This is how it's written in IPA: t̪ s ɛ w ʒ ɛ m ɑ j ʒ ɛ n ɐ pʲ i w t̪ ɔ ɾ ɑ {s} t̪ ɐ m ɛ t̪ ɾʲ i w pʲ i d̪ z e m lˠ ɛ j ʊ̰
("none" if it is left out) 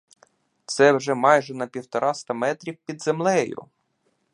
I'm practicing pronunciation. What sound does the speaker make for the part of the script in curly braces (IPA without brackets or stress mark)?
s